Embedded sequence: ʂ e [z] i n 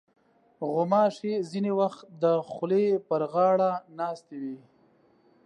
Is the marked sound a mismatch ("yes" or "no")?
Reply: no